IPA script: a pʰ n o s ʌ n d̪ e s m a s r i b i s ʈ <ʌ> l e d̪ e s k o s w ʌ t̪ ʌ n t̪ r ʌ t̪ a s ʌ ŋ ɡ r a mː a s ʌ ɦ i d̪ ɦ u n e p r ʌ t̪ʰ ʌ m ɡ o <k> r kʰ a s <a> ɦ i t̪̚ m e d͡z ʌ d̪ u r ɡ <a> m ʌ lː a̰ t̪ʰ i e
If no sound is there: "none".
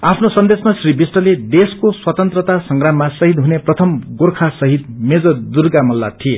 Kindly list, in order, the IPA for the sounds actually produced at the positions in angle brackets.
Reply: ʌ, none, ʌ, a

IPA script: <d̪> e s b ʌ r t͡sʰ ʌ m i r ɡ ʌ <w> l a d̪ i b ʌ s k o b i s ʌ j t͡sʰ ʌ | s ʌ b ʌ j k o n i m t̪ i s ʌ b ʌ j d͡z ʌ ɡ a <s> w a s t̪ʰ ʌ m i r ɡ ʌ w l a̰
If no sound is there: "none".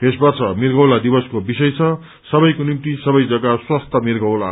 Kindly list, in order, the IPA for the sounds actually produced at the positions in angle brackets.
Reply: t̪, w, s

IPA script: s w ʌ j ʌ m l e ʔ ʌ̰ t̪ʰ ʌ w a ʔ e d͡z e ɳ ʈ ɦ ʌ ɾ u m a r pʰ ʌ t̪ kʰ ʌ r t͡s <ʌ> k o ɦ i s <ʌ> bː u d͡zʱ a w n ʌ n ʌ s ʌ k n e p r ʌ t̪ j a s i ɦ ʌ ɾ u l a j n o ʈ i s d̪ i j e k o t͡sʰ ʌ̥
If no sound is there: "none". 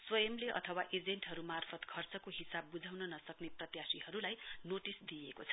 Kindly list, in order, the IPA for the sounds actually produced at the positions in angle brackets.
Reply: ʌ, a

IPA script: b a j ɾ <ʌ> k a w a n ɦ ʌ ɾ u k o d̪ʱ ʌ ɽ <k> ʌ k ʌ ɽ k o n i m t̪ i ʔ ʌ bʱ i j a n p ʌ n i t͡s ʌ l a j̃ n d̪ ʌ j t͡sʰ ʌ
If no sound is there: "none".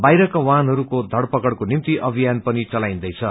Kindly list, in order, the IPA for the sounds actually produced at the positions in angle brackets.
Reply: ʌ, p

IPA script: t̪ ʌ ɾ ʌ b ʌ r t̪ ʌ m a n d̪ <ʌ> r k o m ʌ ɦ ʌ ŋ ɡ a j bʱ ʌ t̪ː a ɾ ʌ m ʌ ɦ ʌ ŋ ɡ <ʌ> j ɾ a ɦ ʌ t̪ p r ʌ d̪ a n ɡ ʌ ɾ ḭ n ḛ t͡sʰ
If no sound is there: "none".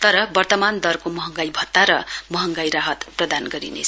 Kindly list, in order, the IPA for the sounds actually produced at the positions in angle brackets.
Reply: ʌ, a

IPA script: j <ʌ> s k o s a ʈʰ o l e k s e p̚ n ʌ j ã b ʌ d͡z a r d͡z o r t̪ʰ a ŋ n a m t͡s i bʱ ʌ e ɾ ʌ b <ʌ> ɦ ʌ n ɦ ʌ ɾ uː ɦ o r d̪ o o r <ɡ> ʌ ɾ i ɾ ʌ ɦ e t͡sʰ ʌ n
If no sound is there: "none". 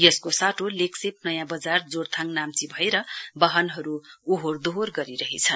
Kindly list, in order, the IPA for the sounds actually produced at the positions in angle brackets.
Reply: ʌ, ʌ, ɡ

